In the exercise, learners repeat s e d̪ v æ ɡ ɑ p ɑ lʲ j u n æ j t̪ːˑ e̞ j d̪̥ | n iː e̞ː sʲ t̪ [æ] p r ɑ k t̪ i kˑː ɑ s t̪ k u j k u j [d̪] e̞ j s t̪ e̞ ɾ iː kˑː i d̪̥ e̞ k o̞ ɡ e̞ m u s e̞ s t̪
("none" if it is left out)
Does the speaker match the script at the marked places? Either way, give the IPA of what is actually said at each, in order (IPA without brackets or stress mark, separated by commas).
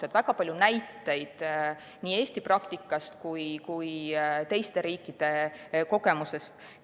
i, t̪